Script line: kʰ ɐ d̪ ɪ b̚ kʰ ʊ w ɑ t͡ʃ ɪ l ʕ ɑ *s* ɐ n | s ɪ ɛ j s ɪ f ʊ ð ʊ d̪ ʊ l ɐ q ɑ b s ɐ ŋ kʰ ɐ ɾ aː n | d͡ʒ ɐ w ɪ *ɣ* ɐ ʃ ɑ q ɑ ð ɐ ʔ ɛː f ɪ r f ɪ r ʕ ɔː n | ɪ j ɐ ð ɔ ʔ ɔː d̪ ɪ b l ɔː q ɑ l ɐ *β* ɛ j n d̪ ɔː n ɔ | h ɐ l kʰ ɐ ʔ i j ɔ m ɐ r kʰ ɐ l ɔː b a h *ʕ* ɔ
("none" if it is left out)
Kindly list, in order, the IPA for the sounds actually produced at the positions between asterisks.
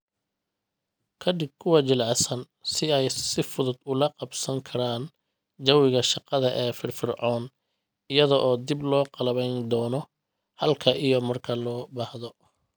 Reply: s, ɣ, β, ð

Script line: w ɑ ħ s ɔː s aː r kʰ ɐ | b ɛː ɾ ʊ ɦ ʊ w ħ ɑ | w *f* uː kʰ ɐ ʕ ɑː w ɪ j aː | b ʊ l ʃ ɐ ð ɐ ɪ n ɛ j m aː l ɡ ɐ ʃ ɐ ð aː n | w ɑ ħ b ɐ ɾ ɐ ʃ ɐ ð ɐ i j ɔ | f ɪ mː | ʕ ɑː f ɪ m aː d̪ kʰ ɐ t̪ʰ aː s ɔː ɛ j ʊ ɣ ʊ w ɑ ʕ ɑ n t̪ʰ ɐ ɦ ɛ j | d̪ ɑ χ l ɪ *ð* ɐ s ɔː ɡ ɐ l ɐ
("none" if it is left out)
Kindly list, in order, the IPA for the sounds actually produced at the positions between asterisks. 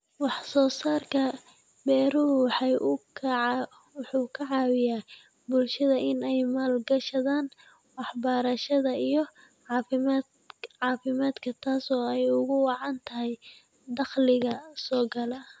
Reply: ħ, ɣ

